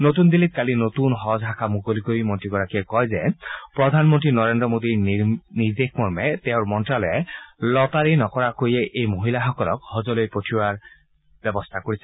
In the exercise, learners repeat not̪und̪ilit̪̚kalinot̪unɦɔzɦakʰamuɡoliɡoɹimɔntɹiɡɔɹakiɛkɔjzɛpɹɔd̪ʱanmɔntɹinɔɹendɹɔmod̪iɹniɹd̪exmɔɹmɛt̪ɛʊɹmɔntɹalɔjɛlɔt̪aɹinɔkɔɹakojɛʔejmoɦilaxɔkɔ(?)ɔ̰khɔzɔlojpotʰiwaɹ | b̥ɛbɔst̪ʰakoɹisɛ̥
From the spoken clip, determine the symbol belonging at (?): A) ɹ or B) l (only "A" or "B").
B